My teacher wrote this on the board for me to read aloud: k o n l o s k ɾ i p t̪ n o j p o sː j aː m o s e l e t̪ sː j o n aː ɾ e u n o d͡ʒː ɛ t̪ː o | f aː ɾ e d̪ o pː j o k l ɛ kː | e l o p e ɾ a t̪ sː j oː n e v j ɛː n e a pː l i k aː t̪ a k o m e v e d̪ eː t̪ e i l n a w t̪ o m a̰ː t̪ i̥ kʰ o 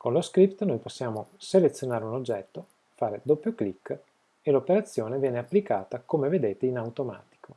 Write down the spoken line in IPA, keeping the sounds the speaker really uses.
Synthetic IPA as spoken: k o n l o s k ɾ i p t̪ n o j p o sː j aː m o s e l e t̪ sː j o n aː ɾ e u n o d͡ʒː ɛ t̪ː o | f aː ɾ e d̪ o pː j o k l i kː | e l o p e ɾ a t̪ sː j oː n e v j ɛː n e a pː l i k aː t̪ a k o m e v e d̪ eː t̪ e i n a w t̪ o m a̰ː t̪ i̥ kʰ o